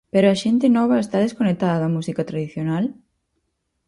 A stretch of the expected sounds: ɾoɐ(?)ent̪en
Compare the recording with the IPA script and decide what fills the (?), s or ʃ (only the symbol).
ʃ